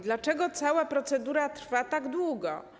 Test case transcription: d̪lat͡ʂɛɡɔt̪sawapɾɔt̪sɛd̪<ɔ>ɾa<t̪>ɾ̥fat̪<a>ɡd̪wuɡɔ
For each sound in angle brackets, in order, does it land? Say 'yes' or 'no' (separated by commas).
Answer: no, yes, yes